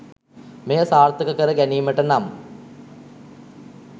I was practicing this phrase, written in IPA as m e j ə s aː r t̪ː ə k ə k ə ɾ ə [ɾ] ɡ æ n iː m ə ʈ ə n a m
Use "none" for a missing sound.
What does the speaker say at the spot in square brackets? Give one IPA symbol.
none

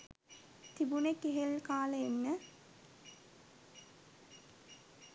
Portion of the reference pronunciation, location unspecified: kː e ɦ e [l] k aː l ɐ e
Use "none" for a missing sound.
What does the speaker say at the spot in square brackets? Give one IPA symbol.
l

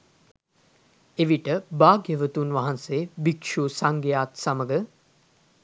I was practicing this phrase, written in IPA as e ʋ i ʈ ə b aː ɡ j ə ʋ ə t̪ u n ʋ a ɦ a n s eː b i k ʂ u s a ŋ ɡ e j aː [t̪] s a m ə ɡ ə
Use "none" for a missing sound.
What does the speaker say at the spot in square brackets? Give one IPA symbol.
t̪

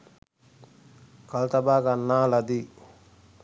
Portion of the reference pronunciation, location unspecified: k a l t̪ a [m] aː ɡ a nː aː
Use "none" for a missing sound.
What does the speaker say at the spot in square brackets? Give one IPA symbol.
b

